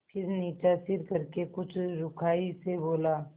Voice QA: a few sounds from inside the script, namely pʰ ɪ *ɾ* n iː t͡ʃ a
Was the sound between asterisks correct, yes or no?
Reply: yes